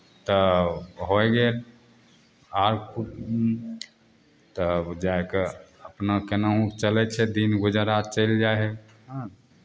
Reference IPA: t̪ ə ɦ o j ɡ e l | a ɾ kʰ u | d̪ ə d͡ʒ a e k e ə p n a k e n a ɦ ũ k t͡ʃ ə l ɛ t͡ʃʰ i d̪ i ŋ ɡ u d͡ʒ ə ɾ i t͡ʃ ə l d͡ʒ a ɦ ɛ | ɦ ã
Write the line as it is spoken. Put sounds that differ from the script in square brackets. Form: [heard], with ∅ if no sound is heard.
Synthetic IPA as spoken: t̪ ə ɦ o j ɡ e l | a ɾ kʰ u | [t̪] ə d͡ʒ a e k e ə p n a k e n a ɦ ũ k t͡ʃ ə l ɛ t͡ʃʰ [ɛ] d̪ i [n] ɡ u d͡ʒ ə ɾ [a] t͡ʃ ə l d͡ʒ a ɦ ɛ | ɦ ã